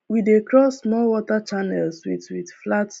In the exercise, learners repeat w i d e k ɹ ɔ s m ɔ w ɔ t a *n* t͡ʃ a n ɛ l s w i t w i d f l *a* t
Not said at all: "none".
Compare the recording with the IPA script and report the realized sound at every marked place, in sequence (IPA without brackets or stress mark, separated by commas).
none, a